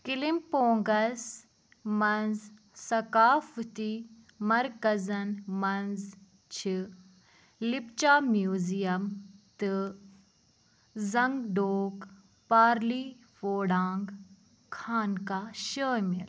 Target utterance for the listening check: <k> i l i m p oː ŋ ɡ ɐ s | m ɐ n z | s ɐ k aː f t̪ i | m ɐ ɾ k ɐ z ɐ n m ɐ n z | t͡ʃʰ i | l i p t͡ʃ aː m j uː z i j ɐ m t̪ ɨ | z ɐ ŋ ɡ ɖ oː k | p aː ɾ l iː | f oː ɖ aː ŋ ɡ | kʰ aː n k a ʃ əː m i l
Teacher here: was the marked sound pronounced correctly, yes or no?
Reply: yes